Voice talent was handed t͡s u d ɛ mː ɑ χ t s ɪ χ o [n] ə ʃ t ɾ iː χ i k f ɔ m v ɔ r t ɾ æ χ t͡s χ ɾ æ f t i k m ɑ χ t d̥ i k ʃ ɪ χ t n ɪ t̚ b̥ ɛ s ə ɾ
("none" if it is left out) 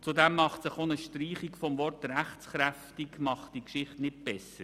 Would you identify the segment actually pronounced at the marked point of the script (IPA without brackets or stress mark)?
n